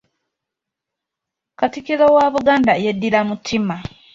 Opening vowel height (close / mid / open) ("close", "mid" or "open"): open